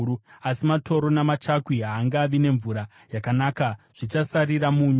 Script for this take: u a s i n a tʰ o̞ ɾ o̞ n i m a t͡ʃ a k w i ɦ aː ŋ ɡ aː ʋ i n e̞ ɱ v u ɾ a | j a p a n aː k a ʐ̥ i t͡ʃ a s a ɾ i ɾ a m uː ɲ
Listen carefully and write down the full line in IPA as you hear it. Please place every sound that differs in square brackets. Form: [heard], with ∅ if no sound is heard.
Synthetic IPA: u a s i [m] a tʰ o̞ ɾ o̞ n [a] m a t͡ʃ a k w i ɦ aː ŋ ɡ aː ʋ i n e̞ ɱ v u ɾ a | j a [k] a n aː k a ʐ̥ i t͡ʃ a s a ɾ i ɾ a m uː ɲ